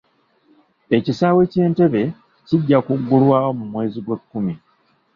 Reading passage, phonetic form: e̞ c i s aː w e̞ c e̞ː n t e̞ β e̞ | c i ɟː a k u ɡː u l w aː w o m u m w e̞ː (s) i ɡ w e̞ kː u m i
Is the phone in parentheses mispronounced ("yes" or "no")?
yes